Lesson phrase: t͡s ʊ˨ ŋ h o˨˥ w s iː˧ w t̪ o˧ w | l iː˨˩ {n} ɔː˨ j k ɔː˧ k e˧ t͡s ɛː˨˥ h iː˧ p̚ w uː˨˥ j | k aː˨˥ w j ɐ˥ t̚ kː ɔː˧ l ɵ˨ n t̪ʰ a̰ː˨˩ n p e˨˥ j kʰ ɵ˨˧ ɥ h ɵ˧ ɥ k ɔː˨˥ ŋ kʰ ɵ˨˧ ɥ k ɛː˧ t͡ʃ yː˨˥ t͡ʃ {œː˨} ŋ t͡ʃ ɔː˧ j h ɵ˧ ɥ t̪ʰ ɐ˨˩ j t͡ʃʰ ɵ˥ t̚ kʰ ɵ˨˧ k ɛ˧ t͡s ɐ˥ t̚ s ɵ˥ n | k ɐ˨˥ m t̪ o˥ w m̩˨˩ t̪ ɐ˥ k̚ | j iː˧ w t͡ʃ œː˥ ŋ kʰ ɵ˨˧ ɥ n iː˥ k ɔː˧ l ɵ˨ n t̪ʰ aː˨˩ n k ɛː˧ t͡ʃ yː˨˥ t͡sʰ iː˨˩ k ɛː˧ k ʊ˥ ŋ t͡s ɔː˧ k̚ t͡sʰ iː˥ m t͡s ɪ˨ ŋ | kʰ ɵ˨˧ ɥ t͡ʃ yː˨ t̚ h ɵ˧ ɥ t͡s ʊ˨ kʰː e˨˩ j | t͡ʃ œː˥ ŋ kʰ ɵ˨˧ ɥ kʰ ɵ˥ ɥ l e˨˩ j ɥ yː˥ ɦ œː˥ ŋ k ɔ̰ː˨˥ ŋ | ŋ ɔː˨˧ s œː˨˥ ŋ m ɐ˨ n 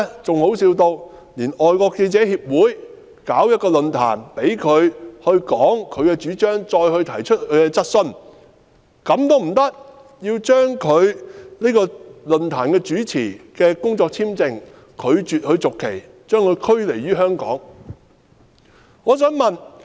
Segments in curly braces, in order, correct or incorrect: correct, incorrect: œː˥

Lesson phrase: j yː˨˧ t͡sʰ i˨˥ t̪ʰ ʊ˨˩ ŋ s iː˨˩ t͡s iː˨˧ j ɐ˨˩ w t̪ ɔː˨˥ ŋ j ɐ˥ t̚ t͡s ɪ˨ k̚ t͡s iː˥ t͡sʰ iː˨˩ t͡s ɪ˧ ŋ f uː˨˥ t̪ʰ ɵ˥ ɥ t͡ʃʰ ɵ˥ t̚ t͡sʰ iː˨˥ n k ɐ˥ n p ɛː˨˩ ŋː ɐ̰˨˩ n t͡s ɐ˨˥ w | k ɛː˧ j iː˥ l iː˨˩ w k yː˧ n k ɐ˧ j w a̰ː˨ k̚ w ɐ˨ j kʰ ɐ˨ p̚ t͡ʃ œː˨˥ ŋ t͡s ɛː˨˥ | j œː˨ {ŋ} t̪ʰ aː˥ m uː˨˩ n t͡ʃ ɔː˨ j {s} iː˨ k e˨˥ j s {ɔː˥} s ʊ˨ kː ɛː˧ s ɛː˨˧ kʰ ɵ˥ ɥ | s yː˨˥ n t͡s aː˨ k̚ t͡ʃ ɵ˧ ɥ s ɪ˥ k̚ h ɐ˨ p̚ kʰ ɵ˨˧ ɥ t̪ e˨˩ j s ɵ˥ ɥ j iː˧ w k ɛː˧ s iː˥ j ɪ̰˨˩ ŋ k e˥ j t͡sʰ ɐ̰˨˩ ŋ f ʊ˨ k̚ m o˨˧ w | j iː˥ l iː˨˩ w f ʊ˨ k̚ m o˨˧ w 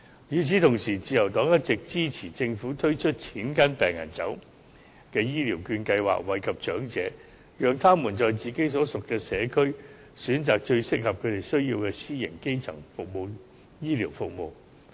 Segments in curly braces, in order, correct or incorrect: correct, incorrect: t͡s, incorrect: ɔː˨˥

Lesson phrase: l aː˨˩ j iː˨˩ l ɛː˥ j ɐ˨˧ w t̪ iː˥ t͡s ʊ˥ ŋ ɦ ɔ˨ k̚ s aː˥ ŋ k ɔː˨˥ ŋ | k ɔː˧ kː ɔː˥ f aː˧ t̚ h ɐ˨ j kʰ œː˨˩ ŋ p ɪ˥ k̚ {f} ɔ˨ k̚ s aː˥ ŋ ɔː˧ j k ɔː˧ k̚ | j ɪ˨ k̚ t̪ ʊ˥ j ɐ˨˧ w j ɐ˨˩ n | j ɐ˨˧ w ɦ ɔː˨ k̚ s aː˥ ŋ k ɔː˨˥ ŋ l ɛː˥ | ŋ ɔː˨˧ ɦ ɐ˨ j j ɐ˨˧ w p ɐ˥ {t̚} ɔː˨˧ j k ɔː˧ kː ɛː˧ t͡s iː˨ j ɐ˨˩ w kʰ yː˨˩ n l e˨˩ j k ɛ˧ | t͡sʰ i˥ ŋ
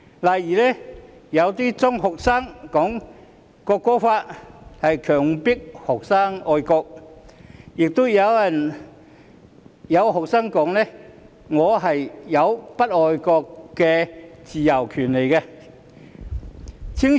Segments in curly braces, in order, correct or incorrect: incorrect: h, correct

